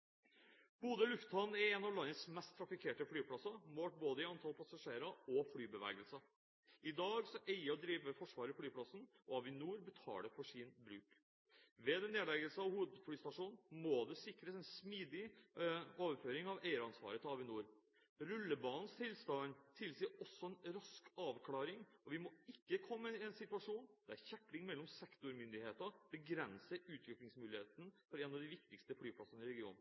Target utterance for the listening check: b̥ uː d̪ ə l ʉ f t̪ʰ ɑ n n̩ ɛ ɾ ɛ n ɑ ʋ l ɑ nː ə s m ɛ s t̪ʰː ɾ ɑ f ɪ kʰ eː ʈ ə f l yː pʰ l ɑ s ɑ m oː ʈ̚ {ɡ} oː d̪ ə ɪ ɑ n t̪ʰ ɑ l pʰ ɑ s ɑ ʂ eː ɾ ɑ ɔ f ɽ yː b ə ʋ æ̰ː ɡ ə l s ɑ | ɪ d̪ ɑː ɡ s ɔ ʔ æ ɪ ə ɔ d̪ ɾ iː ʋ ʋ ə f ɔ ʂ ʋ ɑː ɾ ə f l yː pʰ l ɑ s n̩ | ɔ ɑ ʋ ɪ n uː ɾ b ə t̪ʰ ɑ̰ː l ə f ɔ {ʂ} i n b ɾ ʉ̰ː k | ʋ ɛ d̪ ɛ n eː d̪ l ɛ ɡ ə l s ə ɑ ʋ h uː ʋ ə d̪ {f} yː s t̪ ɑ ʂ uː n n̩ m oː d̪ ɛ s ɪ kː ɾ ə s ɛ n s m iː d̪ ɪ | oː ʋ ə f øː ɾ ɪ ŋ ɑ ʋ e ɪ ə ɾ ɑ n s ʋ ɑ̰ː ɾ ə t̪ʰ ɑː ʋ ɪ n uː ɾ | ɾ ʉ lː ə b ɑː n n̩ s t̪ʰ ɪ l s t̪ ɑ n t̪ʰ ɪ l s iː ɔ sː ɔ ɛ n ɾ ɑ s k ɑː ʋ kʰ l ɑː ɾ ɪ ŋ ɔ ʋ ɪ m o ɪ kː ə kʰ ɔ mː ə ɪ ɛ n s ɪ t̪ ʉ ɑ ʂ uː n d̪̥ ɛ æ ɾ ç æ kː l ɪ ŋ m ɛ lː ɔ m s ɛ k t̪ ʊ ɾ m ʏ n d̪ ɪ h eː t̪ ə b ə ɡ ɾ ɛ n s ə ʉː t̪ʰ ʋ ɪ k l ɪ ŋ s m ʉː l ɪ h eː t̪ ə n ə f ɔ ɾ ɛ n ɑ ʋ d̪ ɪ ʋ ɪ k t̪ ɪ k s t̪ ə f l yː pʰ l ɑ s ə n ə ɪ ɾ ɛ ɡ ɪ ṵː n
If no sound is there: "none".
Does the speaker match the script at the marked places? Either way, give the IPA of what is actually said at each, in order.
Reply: b, ʂ, f

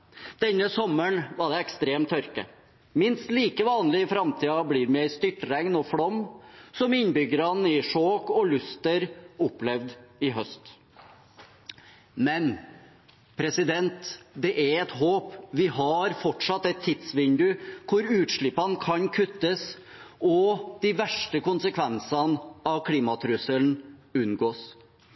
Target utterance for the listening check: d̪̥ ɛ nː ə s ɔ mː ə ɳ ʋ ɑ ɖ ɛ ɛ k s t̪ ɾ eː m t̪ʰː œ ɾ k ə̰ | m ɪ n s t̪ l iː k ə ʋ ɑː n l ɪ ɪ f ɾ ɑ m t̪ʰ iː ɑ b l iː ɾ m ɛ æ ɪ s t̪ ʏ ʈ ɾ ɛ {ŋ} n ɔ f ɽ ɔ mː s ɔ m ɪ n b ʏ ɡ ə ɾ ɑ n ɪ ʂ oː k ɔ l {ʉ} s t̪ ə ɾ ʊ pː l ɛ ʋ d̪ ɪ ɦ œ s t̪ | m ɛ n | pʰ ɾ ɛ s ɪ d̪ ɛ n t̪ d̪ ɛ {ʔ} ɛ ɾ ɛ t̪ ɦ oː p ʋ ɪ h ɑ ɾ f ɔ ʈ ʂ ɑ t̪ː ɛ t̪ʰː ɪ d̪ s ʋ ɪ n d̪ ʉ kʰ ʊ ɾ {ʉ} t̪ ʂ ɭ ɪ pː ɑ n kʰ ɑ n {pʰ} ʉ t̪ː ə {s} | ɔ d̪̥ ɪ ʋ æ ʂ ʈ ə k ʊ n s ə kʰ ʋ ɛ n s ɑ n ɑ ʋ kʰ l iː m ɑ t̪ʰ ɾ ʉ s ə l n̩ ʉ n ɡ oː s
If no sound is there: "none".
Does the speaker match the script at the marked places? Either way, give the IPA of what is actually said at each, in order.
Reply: ŋ, ʉ, ʔ, ʉː, kʰ, s

